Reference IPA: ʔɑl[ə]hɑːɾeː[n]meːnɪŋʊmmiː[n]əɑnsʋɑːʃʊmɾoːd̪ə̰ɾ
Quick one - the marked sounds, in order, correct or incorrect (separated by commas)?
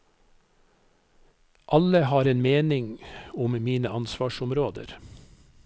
correct, correct, correct